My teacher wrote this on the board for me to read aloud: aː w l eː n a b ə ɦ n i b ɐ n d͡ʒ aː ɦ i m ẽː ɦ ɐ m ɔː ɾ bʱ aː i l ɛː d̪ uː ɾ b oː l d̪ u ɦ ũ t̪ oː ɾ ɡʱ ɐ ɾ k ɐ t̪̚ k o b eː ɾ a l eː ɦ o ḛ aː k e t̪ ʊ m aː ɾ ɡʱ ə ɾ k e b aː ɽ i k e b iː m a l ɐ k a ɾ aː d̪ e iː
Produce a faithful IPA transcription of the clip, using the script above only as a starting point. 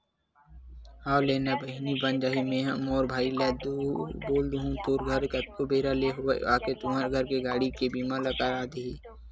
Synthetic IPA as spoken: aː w l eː n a b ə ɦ n i b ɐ n d͡ʒ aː ɦ i m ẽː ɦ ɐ m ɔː ɾ bʱ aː i l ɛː d̪ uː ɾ b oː l d̪ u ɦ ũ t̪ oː ɾ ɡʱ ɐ ɾ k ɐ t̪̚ k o b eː ɾ a l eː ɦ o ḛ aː k e t̪ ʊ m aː ɾ ɡʱ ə ɾ k e ɡ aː ɽ i k e b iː m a l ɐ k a ɾ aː d̪ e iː